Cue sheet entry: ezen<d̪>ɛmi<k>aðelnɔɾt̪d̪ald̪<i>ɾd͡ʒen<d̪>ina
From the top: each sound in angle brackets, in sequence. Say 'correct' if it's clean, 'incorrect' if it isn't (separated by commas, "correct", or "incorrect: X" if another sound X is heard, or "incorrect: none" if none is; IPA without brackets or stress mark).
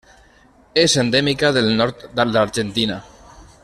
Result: correct, correct, incorrect: a, incorrect: t̪